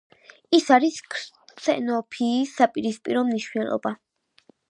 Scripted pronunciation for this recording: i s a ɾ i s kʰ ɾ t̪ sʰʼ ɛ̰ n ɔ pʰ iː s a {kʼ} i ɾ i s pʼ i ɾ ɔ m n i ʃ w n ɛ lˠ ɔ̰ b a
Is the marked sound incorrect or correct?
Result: incorrect